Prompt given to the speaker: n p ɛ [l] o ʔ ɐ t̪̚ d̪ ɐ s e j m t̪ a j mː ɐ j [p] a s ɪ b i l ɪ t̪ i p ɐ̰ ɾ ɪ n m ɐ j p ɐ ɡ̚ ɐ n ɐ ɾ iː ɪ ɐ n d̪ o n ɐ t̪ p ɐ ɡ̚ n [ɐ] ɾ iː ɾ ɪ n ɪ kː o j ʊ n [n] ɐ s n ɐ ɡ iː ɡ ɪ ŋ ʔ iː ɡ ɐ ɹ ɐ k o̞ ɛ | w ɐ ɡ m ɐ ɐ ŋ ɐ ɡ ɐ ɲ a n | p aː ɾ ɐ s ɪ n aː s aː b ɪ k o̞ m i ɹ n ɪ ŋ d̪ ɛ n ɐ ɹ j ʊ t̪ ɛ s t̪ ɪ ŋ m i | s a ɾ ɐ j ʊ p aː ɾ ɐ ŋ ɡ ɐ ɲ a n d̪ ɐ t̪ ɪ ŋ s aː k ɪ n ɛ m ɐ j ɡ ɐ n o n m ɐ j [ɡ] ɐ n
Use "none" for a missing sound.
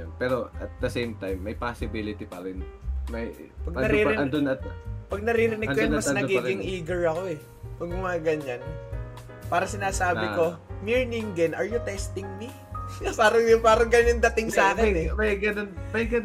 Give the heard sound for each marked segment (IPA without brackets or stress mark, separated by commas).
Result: ɾ, p, ɐ, m, ɡ